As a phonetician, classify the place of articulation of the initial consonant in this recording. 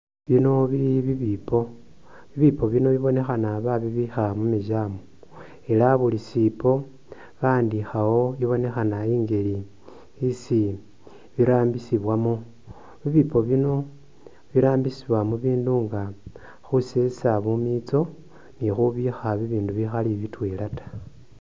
labial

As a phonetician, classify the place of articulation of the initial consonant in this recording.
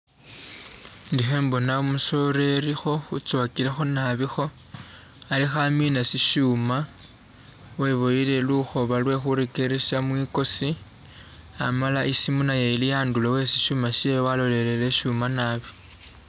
alveolar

